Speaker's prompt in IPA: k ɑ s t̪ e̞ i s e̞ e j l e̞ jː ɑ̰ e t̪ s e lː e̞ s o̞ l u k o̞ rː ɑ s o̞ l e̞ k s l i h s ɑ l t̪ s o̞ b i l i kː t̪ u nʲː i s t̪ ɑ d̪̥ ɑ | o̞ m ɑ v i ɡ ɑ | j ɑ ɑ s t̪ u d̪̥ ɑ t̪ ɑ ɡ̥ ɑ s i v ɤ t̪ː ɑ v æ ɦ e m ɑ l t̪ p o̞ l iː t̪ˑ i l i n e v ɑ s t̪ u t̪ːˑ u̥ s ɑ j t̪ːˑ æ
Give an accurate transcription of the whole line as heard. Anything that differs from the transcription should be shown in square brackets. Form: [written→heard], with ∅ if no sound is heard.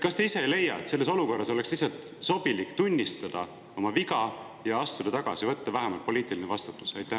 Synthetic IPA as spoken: k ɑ s t̪ e̞ i s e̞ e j l e̞ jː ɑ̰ e t̪ s e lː e̞ s o̞ l u k o̞ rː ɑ s o̞ l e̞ k s l i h s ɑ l t̪ s o̞ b i l i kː t̪ u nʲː i s t̪ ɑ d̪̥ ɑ | o̞ m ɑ v i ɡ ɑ | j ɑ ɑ s t̪ u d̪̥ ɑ t̪ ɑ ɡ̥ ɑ s i v ɤ t̪ː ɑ v æ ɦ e m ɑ l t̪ p o̞ l iː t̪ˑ i l i n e v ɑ s t̪ u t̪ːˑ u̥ s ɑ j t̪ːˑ æ

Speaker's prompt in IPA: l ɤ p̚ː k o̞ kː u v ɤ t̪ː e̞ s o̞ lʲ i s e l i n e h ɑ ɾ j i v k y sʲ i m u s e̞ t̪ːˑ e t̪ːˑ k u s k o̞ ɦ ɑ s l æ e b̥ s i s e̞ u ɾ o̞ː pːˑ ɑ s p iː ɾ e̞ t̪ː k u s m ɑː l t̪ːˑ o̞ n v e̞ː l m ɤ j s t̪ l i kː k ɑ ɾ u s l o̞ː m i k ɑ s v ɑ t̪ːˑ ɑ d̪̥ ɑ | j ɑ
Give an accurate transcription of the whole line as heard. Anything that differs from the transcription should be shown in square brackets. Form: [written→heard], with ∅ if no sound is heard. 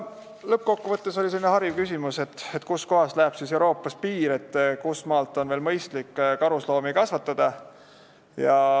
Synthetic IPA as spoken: l ɤ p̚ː k o̞ kː u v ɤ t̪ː e̞ s o̞ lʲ i s e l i n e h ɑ ɾ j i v k y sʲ i m u s e̞ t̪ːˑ e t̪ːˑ k u s k o̞ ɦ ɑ s l æ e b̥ s i s e̞ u ɾ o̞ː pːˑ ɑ s p iː ɾ e̞ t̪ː k u s m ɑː l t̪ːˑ o̞ n v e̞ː l m ɤ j s t̪ l i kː k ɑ ɾ u s l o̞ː m i k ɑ s v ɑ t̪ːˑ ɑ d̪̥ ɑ | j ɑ

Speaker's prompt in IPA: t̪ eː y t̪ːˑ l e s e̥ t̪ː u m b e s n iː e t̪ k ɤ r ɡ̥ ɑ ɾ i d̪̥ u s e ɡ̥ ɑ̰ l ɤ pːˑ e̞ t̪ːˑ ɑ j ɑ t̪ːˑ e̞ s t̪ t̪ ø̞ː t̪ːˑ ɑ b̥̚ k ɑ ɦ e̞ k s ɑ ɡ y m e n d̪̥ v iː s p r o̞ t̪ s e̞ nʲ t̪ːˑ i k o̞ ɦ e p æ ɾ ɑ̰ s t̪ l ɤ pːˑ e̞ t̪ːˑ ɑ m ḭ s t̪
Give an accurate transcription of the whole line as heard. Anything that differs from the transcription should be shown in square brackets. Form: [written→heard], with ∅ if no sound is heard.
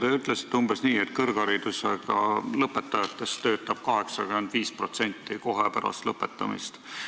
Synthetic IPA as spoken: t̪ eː y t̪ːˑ l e s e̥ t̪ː u m b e s n iː e t̪ k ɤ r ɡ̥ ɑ ɾ i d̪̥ u s e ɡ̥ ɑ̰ l ɤ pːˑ e̞ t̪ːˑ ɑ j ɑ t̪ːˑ e̞ s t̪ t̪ ø̞ː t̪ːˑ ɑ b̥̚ k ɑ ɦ e̞ k s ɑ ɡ y m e n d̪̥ v iː s p r o̞ t̪ s e̞ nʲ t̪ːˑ i k o̞ ɦ e p æ ɾ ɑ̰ s t̪ l ɤ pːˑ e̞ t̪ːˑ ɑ m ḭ s t̪

